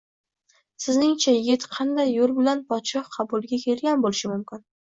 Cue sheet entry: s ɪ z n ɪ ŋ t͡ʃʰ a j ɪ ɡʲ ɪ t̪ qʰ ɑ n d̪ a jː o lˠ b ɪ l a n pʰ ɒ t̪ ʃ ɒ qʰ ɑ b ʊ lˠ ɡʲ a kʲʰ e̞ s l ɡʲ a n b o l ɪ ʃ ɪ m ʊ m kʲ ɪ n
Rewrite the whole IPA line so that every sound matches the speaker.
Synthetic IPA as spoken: s ɪ z n ɪ ŋ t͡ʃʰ a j ɪ ɡʲ ɪ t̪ qʰ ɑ n d̪ a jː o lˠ b ɪ l a n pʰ ɒ t̪ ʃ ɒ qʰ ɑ b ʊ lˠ ɡʲ a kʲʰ e̞ l ɡʲ a n b o l ɪ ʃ ɪ m ʊ m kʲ ɪ n

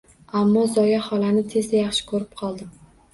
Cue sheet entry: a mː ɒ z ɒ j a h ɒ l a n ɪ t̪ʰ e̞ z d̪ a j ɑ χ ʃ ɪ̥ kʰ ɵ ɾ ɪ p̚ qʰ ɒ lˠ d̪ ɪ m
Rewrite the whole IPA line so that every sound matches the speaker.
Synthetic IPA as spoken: a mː ɒ z ɒ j a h ɒ l a n ɪ t̪ʰ e̞ z d̪ a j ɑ χ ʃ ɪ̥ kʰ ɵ ɾ ɪ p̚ qʰ ɒ lˠ d̪ ɪ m

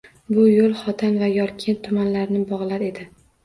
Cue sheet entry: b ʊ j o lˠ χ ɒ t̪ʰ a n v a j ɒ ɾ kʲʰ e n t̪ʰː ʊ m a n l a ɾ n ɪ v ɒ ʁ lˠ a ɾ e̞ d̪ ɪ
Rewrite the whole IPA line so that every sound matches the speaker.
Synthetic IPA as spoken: b ʊ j o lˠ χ ɒ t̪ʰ a n v a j ɒ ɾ kʲʰ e n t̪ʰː ʊ m a n l a ɾ n ɪ b ɒ ʁ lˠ a ɾ e̞ d̪ ɪ

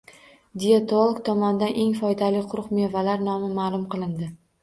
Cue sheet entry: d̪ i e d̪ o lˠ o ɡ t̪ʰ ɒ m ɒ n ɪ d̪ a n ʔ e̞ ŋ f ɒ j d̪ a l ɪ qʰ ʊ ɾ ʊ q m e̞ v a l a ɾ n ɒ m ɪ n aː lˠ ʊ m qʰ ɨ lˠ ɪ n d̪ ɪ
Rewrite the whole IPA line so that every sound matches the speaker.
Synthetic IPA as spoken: d̪ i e t̪ o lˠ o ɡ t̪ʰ ɒ m ɒ n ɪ d̪ a n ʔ e̞ ŋ f ɒ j d̪ a l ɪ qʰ ʊ ɾ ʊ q m e̞ v a l a ɾ n ɒ m ɪ m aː lˠ ʊ m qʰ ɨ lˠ ɪ n d̪ ɪ

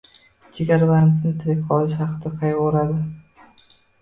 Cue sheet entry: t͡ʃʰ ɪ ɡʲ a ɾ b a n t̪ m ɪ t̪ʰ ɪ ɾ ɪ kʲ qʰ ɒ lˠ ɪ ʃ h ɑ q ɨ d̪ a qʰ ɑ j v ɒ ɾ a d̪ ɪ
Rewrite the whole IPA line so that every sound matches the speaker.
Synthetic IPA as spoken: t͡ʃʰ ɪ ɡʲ a ɾ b a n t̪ n ɪ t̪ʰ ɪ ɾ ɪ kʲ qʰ ɒ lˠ ɪ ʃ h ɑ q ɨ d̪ a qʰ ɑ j ʁ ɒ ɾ a d̪ ɪ

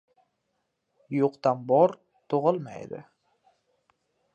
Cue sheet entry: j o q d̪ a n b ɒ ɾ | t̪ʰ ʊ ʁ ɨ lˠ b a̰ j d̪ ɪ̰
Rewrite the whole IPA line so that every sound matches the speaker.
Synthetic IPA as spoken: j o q t̪ a n b ɒ ɾ | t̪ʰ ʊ ʁ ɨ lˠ m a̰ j d̪ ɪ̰

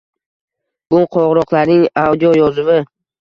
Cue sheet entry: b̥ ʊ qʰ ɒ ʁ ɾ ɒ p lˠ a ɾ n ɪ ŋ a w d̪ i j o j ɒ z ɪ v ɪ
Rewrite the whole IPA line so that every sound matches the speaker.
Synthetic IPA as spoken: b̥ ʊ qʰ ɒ ʁ ɾ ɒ q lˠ a ɾ n ɪ ŋ a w d̪ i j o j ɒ z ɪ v ɪ

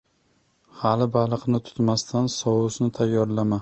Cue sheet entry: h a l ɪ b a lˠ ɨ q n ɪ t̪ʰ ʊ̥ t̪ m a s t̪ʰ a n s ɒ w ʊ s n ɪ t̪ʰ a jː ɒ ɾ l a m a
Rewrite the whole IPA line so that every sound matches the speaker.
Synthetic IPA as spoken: h a l ɪ b a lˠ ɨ q n ɪ t̪ʰ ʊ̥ t̪ m a s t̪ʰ a n s ɒ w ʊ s n ɪ t̪ʰ a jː ɒ ɾ l a m a

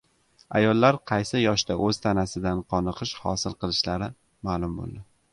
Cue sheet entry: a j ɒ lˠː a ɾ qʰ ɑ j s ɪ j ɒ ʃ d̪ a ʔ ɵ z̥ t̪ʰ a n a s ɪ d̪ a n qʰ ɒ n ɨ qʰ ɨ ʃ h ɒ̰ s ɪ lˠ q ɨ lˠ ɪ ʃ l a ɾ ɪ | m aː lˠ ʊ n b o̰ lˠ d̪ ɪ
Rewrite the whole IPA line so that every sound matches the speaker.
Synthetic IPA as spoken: a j ɒ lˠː a ɾ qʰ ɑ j s ɪ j ɒ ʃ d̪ a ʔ ɵ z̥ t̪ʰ a n a s ɪ d̪ a n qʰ ɒ n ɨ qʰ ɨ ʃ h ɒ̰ s ɪ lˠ q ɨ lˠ ɪ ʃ l a ɾ ɪ | m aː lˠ ʊ m b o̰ lˠ d̪ ɪ

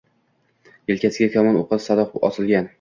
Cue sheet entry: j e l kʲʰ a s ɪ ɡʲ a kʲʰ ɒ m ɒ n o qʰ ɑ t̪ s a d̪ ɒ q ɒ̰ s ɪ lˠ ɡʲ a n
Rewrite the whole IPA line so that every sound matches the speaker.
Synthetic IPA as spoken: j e l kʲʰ a s ɪ ɡʲ a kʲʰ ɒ m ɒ n o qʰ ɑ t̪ s a d̪ ɒ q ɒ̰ s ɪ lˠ ɡʲ a n

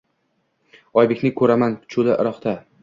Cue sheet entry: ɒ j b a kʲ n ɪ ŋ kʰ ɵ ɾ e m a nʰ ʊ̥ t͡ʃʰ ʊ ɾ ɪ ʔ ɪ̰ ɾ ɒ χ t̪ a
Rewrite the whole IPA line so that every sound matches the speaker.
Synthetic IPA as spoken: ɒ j b e kʲ n ɪ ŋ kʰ ɵ ɾ a m a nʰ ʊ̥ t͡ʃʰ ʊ l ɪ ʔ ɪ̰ ɾ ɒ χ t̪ a

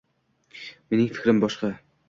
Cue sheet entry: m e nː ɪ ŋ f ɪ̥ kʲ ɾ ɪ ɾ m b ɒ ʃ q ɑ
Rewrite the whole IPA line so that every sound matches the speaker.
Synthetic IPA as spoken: m e n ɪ ŋ f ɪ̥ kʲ ɾ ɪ m b ɒ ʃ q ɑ

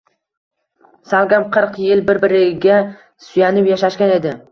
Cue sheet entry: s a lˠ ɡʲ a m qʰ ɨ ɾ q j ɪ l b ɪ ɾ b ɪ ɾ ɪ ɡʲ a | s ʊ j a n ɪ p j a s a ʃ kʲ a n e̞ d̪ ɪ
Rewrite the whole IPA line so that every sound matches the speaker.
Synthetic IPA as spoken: s a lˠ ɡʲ a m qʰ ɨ ɾ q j ɪ l b ɪ ɾ b ɪ ɾ ɪ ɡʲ a | s ʊ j a n ɪ p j a ʃ a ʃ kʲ a n e̞ d̪ ɪ

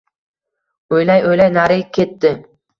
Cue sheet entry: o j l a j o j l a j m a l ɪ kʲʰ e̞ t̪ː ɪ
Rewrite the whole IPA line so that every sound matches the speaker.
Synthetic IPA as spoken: o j l a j o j l a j n a ɾ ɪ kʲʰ e̞ t̪ː ɪ

